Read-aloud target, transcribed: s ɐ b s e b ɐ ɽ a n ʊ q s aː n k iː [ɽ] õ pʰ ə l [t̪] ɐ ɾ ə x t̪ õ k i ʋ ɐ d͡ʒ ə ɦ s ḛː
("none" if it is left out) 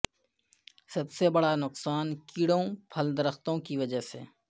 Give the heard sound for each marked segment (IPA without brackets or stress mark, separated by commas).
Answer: ɽ, d̪